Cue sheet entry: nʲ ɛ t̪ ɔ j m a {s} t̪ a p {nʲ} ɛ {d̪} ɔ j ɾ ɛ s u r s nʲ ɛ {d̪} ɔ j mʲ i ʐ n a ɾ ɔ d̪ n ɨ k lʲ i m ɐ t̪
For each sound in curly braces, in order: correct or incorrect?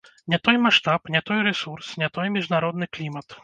incorrect, correct, incorrect, incorrect

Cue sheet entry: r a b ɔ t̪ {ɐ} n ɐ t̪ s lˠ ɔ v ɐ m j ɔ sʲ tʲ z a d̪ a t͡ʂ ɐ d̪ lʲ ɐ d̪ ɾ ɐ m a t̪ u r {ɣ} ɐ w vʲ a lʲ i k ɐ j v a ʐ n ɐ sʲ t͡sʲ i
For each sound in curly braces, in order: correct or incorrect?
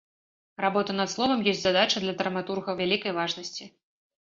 correct, correct

